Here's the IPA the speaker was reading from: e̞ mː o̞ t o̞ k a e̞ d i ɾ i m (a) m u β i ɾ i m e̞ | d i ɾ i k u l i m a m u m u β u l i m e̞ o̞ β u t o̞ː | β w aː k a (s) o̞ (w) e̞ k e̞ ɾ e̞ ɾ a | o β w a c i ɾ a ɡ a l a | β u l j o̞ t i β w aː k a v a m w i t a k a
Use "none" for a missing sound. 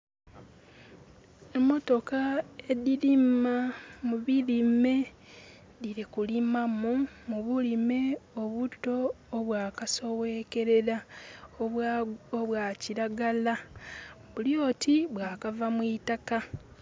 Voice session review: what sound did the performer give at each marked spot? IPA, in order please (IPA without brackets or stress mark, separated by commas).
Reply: a, s, w